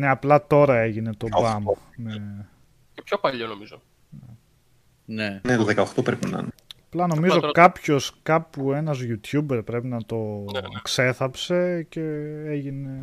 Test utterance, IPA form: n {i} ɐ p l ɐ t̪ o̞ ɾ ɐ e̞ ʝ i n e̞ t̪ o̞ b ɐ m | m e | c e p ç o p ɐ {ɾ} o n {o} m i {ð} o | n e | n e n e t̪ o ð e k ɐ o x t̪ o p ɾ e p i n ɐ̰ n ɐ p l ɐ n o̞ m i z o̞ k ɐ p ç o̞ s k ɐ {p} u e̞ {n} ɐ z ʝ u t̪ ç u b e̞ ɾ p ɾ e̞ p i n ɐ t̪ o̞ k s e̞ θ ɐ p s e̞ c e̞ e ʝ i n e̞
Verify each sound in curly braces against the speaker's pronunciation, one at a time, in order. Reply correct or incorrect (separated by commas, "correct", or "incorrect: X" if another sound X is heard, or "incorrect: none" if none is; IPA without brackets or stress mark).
incorrect: e, incorrect: ʎ, correct, incorrect: z, correct, correct